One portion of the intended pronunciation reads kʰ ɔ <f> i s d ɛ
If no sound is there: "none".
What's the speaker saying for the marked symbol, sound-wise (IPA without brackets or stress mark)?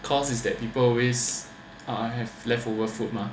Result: s